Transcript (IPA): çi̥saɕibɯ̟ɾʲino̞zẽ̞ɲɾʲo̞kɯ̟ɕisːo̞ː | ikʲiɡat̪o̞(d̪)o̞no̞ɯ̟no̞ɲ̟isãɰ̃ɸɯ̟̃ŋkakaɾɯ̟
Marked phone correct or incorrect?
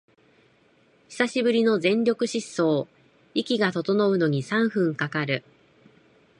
incorrect